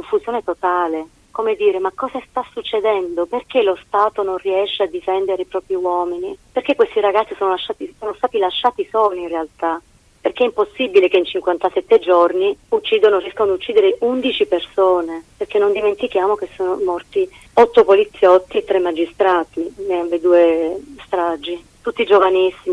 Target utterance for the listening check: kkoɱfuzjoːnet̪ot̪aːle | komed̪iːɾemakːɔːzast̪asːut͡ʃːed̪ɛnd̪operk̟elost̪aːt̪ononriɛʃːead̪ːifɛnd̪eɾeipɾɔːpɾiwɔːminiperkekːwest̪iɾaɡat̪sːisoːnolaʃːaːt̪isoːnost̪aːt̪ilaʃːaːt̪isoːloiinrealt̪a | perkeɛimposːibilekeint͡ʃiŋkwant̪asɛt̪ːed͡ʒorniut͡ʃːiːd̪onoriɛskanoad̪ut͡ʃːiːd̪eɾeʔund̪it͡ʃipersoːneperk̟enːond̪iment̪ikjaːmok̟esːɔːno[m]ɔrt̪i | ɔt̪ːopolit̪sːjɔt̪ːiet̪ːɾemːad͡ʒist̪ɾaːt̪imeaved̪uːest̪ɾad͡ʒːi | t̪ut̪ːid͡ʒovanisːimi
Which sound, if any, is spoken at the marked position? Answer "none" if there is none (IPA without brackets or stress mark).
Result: m